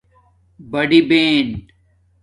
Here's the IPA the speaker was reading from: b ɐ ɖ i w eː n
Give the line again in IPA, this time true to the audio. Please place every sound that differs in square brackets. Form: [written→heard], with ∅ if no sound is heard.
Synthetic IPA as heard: b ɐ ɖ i [w→b] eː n